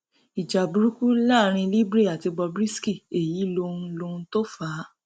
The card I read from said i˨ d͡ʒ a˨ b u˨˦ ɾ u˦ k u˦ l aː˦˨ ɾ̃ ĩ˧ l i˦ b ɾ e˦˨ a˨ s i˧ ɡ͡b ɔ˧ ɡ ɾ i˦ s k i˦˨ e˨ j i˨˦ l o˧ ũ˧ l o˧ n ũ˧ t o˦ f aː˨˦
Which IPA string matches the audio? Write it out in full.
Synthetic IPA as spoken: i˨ d͡ʒ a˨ b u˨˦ ɾ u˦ k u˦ l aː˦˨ ɾ̃ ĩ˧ l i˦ b ɾ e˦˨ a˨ t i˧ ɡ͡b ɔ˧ b ɾ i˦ s k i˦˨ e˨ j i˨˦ l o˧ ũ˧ l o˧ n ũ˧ t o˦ f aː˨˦